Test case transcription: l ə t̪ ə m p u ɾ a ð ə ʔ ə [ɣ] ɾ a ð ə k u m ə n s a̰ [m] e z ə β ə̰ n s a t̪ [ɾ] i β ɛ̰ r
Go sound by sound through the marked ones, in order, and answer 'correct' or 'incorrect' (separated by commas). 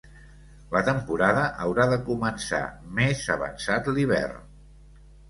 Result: incorrect, correct, incorrect